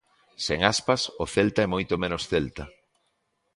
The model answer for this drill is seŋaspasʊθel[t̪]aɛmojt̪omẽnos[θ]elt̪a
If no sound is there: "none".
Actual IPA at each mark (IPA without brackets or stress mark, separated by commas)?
t̪, θ